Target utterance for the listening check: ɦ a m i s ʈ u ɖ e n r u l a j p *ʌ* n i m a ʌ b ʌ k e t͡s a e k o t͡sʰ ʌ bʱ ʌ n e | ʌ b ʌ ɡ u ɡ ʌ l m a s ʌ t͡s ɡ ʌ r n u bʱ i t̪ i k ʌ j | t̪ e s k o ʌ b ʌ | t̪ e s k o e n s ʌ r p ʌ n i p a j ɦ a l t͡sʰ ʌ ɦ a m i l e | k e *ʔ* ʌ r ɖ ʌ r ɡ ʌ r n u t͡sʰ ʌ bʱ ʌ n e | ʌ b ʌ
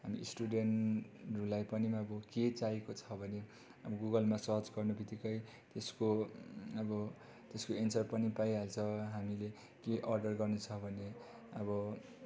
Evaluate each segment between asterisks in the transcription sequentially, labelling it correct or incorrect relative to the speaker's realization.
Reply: correct, correct

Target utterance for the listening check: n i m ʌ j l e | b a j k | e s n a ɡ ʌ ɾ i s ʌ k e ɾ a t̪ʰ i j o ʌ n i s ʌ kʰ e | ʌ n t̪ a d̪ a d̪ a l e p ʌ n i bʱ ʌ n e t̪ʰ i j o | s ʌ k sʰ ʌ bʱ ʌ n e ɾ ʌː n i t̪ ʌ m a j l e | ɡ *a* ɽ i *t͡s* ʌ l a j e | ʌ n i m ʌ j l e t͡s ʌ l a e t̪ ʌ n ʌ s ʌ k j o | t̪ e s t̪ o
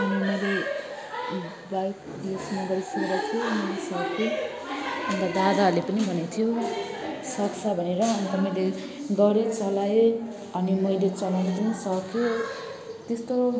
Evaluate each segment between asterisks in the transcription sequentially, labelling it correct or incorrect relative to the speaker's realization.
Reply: incorrect: ʌ, correct

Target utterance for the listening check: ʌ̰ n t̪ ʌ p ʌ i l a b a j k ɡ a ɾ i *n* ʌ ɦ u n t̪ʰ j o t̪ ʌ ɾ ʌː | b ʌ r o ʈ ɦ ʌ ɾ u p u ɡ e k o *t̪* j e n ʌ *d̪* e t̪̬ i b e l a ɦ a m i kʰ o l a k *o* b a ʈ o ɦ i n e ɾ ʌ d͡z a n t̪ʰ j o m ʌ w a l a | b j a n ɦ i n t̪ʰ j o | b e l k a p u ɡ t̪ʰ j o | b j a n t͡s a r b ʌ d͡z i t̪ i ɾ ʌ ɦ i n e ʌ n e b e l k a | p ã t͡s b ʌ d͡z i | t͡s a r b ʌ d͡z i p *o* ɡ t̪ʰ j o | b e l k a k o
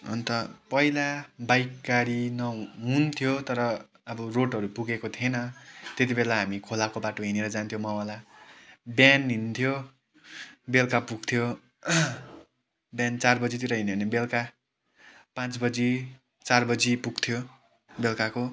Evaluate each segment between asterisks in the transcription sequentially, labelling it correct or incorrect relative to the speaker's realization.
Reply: correct, incorrect: t̪ʰ, incorrect: t̪, correct, incorrect: u

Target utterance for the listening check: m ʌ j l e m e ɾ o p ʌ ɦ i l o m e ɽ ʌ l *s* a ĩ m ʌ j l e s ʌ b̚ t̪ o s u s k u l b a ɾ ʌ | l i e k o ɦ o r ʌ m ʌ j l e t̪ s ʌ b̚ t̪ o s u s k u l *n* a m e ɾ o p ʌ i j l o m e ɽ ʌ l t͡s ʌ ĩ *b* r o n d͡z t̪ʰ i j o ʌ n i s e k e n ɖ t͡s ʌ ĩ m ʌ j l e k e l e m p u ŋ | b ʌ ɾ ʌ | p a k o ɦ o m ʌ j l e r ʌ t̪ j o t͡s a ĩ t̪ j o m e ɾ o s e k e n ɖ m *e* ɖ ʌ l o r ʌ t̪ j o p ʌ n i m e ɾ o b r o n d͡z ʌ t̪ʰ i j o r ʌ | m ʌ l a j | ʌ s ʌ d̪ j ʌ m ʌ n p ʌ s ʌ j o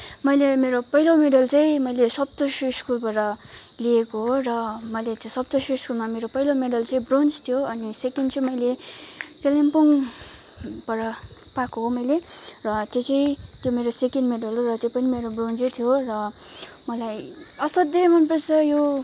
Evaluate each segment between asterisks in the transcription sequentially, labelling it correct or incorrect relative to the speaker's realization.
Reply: incorrect: t͡s, incorrect: m, correct, correct

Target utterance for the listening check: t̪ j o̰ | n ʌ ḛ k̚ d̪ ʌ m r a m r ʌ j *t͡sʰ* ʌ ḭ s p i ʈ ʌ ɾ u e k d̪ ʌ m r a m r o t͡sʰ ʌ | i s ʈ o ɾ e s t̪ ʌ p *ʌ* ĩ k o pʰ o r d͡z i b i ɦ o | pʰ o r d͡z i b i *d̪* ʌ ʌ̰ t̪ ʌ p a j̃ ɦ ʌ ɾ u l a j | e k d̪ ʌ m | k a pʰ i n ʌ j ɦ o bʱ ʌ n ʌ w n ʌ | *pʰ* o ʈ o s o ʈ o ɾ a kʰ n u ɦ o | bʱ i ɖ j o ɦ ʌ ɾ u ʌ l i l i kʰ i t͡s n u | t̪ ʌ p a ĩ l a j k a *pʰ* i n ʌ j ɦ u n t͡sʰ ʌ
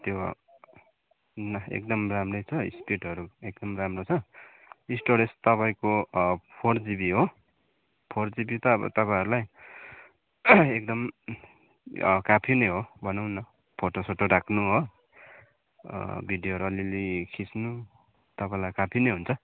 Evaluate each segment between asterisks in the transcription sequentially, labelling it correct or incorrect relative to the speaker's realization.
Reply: correct, incorrect: a, incorrect: t̪, correct, correct

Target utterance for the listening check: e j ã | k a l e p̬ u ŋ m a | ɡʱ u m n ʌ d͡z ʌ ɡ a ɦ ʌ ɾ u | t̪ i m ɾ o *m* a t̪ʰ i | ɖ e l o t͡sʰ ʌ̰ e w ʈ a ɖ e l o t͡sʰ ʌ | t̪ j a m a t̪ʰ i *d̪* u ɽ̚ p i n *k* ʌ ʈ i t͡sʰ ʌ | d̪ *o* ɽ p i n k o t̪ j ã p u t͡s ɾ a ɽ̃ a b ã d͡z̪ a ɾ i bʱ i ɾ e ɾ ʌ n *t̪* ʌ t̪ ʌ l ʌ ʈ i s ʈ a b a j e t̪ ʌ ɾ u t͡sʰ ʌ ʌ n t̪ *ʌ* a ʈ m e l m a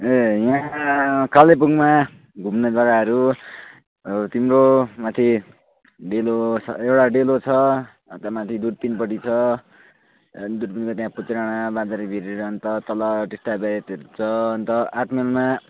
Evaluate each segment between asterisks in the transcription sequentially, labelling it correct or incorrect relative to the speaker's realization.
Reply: correct, correct, incorrect: p, incorrect: u, correct, correct

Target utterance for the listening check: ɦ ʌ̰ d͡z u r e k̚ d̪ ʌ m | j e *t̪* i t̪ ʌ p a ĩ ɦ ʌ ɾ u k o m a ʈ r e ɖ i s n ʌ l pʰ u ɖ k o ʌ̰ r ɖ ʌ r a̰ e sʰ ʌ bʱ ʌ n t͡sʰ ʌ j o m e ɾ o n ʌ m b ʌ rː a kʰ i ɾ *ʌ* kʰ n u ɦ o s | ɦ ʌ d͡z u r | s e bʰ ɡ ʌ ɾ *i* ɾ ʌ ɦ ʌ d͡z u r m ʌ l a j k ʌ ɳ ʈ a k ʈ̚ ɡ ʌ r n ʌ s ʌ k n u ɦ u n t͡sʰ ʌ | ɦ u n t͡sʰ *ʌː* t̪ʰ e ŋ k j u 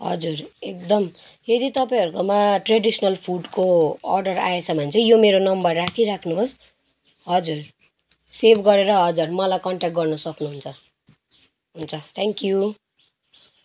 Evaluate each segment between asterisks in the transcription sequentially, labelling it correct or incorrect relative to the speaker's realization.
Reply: incorrect: d̪, incorrect: a, incorrect: e, incorrect: ʌ

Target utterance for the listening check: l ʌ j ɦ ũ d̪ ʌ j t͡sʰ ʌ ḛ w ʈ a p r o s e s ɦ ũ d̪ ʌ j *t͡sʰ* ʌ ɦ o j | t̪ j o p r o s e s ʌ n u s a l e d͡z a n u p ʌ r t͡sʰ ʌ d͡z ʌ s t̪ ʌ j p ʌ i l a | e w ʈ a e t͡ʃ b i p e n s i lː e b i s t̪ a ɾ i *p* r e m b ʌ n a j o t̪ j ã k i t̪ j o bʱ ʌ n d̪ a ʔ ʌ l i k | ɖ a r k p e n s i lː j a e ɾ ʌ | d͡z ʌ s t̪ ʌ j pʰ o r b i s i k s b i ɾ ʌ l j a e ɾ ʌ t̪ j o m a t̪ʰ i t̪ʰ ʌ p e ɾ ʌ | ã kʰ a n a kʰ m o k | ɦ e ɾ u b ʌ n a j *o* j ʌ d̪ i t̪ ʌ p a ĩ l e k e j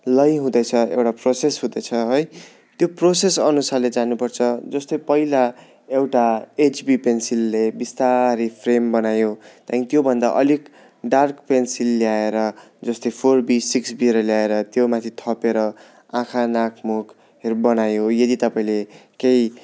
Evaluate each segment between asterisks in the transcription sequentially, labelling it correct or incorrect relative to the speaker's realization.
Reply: correct, incorrect: pʰ, correct

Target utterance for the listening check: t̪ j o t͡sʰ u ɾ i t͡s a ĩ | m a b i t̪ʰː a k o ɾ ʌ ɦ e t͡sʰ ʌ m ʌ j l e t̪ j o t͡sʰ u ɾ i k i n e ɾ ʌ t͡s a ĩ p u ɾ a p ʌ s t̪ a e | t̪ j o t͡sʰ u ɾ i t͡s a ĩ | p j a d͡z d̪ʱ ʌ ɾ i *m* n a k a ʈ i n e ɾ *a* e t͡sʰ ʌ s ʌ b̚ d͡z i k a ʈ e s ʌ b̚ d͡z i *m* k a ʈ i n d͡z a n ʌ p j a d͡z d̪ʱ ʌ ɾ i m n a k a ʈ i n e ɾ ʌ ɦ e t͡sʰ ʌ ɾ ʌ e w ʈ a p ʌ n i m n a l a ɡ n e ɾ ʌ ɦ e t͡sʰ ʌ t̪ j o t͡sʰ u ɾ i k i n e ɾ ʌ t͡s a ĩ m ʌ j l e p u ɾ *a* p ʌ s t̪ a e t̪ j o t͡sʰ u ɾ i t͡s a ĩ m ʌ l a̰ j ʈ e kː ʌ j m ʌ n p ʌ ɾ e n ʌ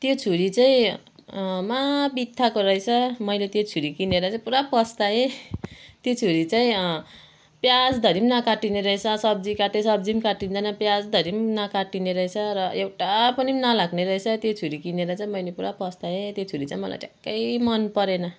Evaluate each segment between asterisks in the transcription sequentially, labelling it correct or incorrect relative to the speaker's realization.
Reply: correct, incorrect: ʌ, correct, correct

